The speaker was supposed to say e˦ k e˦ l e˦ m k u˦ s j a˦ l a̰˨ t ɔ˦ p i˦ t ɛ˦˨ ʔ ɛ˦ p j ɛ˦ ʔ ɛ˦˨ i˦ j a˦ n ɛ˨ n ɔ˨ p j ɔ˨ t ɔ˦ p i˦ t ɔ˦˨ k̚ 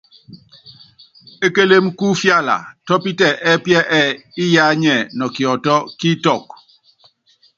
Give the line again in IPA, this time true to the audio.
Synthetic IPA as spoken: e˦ k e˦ l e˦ m k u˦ f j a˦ l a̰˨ t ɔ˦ p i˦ t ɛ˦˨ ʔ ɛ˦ p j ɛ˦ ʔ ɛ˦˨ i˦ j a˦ ɲ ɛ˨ n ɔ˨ k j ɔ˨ t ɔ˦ k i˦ t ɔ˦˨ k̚